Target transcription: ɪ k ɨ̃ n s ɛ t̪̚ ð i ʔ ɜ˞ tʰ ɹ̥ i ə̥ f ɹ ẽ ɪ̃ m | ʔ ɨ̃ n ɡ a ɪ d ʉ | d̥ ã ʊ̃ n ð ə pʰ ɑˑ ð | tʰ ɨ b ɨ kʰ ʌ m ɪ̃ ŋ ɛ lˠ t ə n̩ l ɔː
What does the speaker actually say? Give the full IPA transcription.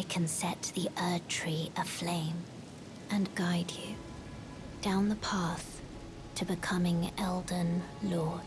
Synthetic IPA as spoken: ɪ kʰ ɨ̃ n s ɛ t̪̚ ð i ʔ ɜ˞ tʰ ɹ̥ i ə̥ f l ẽ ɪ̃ m | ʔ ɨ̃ n ɡ a ɪ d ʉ | d̥ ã ʊ̃ n ð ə pʰ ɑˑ θ | tʰ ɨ b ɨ kʰ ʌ m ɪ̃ ŋ ɛ lˠ d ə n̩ l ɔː